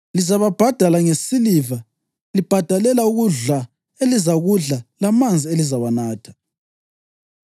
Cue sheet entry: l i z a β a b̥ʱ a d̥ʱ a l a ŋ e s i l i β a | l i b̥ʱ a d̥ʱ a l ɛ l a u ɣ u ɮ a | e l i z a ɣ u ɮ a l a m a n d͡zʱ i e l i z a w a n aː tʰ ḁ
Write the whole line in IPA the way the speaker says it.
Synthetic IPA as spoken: l i z a β a b̥ʱ a d̥ʱ a l a ŋ e s i l i v a | l i b̥ʱ a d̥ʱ a l ɛ l a u ɣ u ɮ a | e l i z a ɣ u ɮ a l a m a n d͡zʱ i e l i z a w a n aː tʰ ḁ